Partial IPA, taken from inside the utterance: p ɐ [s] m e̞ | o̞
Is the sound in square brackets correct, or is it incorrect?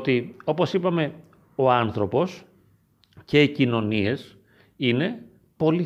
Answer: incorrect